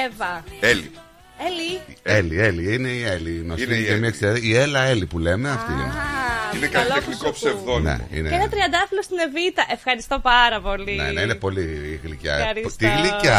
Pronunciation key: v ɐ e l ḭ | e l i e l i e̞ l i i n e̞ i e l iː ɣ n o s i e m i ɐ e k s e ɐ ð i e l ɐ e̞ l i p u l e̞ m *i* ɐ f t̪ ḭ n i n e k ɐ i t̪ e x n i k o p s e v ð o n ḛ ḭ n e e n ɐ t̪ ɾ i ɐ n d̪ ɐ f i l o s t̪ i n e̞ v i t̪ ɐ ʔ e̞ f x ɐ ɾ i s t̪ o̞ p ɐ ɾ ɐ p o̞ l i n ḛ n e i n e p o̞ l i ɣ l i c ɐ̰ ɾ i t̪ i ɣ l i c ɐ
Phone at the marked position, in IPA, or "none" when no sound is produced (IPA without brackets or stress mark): e